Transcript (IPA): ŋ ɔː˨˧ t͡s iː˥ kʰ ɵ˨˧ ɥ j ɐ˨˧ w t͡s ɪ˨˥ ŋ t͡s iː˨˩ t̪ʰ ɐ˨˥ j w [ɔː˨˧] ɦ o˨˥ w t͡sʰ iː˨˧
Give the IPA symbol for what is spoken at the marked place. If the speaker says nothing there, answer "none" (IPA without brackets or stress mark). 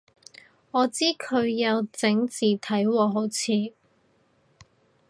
ɔː˨˧